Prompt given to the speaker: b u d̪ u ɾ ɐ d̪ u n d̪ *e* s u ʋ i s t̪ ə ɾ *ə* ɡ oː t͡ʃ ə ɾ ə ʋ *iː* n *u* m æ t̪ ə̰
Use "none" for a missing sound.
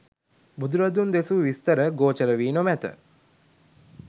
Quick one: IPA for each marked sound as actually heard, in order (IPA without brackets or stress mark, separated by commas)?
e, ə, iː, o